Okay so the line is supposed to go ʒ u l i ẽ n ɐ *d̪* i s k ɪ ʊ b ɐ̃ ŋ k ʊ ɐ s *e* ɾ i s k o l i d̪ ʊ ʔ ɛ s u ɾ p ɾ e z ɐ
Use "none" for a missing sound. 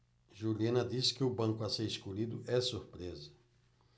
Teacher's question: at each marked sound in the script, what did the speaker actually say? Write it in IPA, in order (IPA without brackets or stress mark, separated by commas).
d̪, e